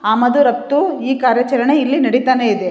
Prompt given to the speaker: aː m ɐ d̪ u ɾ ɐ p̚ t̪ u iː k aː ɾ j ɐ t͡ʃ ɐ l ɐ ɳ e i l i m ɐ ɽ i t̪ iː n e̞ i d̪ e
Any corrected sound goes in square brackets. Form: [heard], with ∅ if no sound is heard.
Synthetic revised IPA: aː m ɐ d̪ u ɾ ɐ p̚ t̪ u iː k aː ɾ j ɐ t͡ʃ ɐ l ɐ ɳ e i [lː] i [n] ɐ ɽ i t̪ [aː] n e̞ i d̪ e